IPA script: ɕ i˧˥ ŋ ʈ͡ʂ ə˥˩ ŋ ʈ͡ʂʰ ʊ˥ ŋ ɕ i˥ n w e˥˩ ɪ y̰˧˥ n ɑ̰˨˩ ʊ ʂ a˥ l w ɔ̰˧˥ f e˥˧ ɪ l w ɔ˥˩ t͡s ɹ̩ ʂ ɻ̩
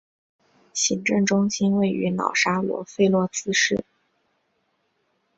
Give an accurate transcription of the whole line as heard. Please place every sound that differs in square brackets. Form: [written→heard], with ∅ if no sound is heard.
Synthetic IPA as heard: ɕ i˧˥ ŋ ʈ͡ʂ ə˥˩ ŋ [ʈ͡ʂʰ→ʈ͡ʂ] ʊ˥ ŋ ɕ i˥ n w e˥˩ ɪ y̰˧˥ n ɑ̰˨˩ ʊ ʂ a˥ l w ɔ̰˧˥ f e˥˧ ɪ l w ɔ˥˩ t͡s ɹ̩ ʂ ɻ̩